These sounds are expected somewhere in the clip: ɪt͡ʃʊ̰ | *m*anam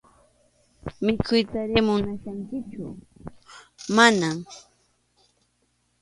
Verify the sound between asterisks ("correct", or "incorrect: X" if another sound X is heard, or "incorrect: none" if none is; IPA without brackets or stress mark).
correct